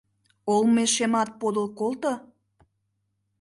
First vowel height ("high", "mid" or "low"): mid